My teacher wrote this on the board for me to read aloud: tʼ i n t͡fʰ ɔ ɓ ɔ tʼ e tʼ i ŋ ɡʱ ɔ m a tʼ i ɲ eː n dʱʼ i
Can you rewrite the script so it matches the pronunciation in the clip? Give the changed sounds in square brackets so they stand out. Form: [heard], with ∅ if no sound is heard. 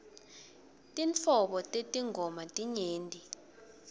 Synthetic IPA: tʼ i n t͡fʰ ɔ ɓ ɔ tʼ e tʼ i ŋ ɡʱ ɔ m a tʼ i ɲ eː n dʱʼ i